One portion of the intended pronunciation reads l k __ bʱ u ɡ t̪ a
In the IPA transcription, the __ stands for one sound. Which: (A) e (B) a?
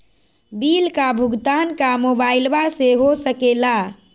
B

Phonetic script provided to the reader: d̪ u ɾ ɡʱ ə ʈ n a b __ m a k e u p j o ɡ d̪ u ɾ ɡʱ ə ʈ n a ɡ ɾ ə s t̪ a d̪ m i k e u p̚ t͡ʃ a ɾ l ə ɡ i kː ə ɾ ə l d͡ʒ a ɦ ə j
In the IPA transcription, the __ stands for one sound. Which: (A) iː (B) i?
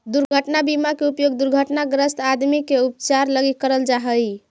B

